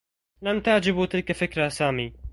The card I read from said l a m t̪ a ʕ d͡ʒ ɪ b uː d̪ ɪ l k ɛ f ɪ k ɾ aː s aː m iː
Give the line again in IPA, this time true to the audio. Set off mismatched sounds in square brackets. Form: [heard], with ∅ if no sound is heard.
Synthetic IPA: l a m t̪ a ʕ d͡ʒ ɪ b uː [t̪] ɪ l k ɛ f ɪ k ɾ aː s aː m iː